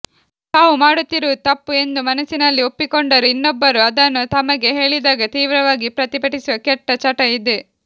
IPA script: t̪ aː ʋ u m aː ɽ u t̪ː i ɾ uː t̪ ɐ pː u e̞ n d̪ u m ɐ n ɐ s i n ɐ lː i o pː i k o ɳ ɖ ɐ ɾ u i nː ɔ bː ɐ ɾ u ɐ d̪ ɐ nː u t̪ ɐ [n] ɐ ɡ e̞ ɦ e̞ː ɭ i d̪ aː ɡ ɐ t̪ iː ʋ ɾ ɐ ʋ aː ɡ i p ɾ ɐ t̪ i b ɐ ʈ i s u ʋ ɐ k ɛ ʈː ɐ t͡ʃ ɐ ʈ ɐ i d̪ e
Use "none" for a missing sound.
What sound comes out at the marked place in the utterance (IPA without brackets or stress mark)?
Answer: m